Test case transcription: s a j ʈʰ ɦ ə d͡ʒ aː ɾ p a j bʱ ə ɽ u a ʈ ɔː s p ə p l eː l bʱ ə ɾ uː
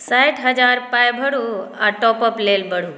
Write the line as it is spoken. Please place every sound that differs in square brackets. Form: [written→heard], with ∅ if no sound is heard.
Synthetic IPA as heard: s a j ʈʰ ɦ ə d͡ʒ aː ɾ p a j bʱ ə ɽ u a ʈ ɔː [s→∅] p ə p l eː l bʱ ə [ɾ→ɽ] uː